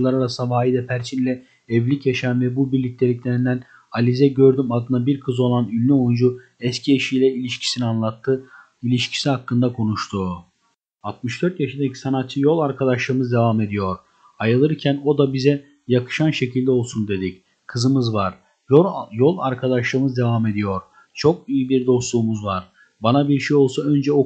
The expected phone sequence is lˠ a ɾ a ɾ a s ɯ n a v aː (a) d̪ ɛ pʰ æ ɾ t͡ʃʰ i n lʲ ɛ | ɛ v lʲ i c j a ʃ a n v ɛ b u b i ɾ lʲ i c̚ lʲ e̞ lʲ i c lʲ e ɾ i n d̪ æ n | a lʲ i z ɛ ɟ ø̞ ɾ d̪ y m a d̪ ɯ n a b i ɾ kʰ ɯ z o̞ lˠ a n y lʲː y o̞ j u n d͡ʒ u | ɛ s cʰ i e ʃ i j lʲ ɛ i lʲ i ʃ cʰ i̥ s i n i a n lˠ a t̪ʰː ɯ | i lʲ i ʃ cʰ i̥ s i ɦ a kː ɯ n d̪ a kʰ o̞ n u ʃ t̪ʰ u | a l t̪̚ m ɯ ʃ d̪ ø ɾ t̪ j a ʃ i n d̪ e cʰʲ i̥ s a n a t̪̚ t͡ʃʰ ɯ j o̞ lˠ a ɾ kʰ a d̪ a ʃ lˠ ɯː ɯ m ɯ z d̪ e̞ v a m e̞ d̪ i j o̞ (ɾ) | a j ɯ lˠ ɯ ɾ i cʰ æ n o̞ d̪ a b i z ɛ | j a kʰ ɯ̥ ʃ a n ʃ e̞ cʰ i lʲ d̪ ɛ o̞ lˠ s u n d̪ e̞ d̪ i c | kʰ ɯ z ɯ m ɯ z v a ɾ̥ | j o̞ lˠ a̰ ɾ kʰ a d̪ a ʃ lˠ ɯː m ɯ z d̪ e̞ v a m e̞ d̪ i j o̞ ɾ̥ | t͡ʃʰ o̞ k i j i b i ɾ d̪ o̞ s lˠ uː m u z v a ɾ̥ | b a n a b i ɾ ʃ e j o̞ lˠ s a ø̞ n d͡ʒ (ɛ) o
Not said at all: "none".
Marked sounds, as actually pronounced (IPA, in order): i, ɾ, ɛ

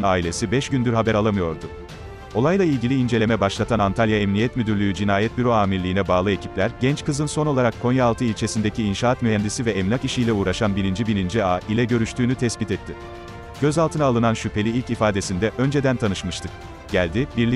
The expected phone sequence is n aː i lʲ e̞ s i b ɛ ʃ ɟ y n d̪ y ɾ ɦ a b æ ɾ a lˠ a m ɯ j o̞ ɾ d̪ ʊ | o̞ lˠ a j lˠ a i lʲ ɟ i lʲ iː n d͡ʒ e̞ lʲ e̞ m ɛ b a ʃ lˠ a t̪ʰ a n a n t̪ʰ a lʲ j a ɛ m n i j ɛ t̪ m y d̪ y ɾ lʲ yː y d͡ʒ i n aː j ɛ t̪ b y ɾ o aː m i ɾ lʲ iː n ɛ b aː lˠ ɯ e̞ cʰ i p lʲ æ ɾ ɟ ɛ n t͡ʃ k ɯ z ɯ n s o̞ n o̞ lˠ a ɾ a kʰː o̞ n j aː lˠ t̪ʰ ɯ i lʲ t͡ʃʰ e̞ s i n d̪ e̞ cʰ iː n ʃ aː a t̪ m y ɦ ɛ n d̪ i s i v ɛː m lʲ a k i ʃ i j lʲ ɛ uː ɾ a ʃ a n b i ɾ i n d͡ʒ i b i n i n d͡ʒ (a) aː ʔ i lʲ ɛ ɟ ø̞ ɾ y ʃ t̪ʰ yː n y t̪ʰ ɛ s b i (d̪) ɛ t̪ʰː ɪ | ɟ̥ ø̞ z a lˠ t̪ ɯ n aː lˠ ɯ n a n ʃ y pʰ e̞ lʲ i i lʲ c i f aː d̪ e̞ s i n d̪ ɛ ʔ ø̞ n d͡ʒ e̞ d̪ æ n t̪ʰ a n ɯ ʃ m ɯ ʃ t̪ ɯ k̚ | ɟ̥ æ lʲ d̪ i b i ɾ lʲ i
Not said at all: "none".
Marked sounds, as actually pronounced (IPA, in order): i, t̪

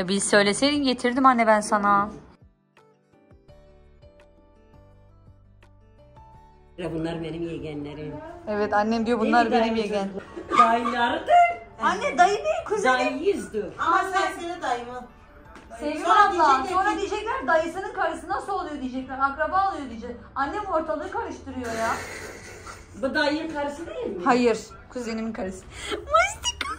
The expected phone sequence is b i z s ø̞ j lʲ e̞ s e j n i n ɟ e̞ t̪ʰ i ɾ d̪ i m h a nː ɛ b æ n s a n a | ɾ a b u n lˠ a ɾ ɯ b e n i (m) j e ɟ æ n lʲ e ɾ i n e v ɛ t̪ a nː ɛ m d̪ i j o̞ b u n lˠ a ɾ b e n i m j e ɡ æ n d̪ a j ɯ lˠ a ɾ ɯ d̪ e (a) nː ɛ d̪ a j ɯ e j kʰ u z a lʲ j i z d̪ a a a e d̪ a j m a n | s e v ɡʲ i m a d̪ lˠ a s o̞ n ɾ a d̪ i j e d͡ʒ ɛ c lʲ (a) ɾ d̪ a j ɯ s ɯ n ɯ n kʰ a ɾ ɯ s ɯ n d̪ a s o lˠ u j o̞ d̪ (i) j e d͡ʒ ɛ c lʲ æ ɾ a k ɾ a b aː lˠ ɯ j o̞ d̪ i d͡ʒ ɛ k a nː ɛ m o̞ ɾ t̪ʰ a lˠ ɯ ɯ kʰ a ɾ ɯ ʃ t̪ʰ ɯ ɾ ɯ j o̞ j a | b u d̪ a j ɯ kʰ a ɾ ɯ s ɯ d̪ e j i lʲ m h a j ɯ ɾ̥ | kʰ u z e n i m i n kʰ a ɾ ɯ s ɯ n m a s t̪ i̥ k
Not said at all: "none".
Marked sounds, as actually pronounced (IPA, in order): m, a, æ, i

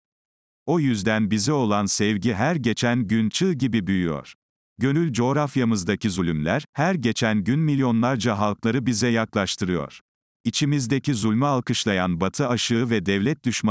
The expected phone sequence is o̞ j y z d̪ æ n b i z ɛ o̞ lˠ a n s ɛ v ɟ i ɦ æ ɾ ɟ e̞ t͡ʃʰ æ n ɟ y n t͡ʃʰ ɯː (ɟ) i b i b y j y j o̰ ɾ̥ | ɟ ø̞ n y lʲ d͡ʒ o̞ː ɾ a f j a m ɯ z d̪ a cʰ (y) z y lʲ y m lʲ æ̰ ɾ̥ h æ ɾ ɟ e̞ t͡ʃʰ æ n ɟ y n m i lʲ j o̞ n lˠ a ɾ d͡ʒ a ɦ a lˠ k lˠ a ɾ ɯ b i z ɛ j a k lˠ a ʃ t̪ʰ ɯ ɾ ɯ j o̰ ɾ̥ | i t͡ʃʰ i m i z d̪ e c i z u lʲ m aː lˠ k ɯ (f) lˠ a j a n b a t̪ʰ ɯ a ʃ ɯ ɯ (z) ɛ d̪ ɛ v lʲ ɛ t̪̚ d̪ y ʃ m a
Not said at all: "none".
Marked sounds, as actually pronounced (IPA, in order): ɟ, i, ʃ, v

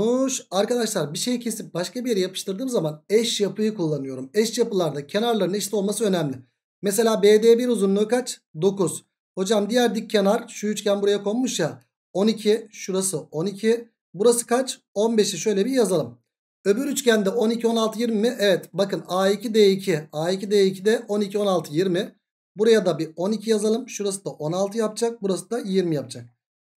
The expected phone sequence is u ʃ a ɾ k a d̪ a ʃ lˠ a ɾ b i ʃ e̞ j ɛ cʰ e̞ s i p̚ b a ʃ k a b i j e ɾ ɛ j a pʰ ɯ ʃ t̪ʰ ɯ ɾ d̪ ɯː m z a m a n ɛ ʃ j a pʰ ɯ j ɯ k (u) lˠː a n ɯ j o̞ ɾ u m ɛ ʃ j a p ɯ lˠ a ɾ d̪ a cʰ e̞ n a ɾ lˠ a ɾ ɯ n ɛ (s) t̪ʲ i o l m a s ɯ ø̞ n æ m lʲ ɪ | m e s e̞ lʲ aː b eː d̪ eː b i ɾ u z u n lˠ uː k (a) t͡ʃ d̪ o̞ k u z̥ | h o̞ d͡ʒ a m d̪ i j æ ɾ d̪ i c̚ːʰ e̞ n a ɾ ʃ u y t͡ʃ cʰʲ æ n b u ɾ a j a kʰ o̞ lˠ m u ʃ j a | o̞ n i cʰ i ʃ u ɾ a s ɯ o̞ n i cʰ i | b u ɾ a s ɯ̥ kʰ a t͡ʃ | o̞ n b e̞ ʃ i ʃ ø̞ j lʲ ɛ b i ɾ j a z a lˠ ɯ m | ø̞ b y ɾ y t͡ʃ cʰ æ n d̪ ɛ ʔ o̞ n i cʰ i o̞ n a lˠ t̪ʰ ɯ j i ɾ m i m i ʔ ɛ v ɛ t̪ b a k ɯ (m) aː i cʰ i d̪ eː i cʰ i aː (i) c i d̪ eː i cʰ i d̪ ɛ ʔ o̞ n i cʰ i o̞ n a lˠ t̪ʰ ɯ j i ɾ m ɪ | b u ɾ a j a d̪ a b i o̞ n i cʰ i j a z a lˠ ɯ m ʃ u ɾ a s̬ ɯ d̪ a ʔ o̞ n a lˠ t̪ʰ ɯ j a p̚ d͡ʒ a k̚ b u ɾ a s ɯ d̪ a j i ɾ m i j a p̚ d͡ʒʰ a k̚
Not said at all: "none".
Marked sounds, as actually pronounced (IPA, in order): u, ʃ, a, n, i

